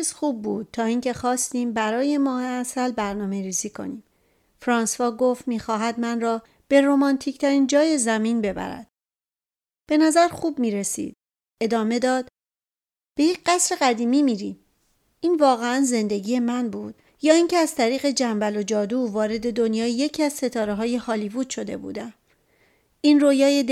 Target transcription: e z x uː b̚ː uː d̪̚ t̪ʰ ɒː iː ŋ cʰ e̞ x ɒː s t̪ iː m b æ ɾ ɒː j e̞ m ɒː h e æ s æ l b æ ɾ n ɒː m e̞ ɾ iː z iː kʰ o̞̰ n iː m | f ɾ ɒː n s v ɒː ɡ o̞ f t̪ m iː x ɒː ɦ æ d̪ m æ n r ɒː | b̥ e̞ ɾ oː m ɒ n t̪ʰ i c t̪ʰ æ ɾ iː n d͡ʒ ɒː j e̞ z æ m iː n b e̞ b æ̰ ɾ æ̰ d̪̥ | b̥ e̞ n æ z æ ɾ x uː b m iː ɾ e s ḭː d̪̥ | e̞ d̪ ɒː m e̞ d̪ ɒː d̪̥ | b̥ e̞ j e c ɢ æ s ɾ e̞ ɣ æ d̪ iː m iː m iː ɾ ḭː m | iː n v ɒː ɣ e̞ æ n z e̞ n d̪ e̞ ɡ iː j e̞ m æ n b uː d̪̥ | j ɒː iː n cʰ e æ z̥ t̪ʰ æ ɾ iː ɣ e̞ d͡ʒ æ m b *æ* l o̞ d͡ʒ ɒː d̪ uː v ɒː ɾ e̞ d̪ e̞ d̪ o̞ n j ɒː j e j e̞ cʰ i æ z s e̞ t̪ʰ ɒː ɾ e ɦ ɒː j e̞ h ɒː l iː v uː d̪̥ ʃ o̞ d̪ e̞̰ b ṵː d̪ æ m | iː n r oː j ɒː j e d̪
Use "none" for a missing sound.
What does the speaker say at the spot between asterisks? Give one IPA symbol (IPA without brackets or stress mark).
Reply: æ